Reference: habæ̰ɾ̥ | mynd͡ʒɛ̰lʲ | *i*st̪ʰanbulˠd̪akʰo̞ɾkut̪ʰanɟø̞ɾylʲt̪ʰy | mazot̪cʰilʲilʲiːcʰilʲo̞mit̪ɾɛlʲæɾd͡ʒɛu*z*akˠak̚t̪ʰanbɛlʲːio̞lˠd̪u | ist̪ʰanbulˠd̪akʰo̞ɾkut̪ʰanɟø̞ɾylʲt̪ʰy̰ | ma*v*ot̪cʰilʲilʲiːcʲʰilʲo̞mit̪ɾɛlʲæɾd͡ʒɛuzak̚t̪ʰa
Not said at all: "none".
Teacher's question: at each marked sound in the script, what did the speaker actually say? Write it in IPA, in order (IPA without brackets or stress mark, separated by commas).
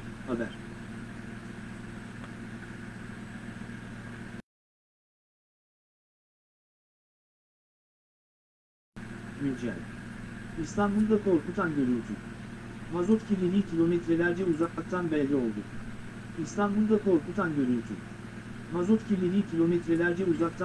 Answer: i, z, z